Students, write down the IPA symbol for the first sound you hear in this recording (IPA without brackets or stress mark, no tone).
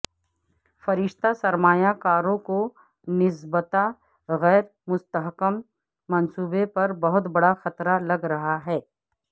f